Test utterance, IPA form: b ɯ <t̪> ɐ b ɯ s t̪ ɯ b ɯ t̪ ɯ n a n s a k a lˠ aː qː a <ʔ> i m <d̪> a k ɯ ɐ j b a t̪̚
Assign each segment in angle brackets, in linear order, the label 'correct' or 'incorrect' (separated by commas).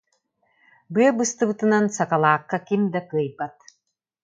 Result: incorrect, incorrect, correct